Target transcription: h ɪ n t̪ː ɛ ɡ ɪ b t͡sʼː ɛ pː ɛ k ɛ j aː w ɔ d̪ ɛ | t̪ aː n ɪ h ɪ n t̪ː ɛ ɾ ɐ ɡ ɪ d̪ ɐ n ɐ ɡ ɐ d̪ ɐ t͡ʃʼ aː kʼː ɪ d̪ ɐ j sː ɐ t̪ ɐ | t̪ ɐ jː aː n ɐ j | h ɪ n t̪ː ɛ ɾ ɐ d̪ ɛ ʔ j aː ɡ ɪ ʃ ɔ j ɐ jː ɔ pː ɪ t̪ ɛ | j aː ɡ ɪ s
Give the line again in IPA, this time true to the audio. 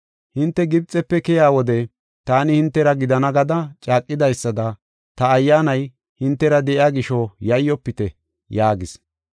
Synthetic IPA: h ɪ n t̪ː ɛ ɡ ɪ b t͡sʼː ɛ pː ɛ k ɛ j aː w ɔ d̪ ɛ | t̪ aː n ɪ h ɪ n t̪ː ɛ ɾ ɐ ɡ ɪ d̪ ɐ n ɐ ɡ ɐ d̪ ɐ t͡ʃʼ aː kʼː ɪ d̪ ɐ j sː ɐ d̪ ɐ | t̪ ɐː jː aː n ɐ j | h ɪ n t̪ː ɛ ɾ ɐ d̪ ɛ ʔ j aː ɡ ɪ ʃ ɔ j ɐ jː ɔ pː ɪ t̪ ɛ | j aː ɡ ɪ s